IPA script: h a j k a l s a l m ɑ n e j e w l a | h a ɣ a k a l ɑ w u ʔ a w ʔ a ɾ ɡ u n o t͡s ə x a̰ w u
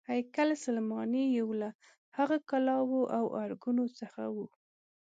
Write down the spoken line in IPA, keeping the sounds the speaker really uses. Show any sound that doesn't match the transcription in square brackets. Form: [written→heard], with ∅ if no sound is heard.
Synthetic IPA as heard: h a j k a l s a l m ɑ n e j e w l a | h a ɣ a k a l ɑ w [u→o] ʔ a w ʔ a ɾ ɡ u n o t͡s ə x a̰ w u